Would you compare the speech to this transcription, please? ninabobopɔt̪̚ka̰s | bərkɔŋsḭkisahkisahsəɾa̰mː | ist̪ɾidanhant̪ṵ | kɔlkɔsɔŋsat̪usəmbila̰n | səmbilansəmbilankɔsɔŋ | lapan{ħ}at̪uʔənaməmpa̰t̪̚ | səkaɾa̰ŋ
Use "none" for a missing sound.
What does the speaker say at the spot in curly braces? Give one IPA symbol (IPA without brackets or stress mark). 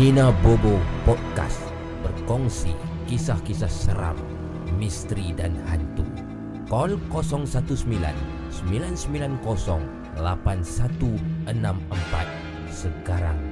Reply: s